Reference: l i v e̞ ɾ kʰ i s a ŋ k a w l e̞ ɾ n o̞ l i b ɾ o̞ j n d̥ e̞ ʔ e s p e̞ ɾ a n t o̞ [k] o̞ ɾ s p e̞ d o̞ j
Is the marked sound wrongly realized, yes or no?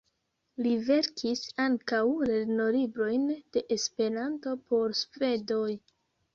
yes